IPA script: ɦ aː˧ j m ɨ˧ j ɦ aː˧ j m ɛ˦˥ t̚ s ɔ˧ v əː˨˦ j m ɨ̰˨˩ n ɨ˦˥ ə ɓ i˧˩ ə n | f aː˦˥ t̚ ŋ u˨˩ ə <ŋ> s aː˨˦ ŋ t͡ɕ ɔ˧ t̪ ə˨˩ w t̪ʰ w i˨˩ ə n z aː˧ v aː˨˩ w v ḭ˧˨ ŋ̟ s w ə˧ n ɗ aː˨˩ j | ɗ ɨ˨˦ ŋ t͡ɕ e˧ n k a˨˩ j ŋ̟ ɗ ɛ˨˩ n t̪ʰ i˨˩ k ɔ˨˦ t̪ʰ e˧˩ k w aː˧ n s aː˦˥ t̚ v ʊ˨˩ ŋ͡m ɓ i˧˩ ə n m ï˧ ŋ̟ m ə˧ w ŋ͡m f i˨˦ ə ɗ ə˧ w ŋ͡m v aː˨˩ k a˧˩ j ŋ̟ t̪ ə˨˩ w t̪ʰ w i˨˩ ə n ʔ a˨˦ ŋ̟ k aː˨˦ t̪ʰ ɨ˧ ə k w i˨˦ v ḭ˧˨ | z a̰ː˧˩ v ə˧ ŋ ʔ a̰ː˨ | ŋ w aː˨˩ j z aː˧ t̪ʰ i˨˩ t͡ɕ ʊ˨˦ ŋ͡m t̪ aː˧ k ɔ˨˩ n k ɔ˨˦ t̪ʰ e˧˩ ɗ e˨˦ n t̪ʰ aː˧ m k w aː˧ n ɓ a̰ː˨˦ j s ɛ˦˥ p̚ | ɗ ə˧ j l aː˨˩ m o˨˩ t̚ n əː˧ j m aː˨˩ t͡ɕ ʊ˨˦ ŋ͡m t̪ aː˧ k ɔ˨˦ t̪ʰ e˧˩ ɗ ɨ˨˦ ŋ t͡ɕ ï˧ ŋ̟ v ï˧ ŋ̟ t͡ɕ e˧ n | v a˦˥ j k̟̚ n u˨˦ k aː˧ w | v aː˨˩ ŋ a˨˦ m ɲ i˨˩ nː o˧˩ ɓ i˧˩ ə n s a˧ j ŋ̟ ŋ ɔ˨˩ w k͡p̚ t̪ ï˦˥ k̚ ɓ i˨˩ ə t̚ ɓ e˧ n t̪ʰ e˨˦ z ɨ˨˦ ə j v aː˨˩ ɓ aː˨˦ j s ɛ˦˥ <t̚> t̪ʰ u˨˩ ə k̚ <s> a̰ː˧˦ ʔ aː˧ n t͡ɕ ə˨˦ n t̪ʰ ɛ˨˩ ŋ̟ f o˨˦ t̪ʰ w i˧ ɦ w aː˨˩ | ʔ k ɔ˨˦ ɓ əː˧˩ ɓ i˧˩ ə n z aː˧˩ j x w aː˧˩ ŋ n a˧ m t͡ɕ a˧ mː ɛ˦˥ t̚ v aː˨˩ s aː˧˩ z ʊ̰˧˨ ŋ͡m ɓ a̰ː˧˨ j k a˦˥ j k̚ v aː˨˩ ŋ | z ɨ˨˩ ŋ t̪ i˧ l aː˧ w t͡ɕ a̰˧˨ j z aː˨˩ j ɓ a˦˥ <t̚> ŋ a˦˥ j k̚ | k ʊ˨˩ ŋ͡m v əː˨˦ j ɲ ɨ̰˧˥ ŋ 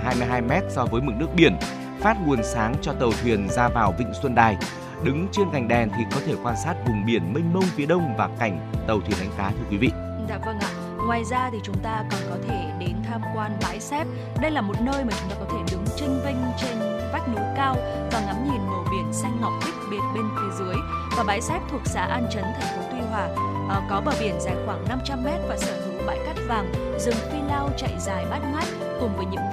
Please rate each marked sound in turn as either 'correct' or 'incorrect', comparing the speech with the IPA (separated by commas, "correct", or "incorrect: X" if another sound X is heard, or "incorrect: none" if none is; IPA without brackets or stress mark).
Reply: incorrect: n, incorrect: p̚, correct, correct